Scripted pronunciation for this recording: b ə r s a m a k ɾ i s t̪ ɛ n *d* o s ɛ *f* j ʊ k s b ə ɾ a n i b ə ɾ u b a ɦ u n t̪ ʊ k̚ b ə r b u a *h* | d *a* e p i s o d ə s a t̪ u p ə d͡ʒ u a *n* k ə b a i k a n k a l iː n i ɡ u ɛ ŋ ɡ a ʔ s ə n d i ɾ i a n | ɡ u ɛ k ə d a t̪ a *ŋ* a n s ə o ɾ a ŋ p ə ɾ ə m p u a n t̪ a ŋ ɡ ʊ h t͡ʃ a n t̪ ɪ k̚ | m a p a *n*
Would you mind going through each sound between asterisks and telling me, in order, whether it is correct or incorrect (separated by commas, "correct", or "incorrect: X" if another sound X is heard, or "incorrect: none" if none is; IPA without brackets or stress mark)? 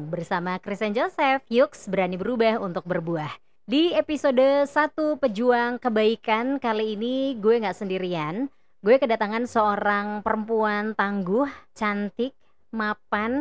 incorrect: d͡ʒ, correct, correct, incorrect: i, incorrect: ŋ, correct, correct